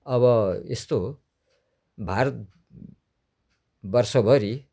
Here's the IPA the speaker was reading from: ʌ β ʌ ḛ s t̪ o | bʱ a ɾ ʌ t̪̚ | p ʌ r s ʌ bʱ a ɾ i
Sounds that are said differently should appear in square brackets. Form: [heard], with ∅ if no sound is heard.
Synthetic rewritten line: ʌ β ʌ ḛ s t̪ o | bʱ a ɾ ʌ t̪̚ | [b] ʌ r s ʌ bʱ [ʌ] ɾ i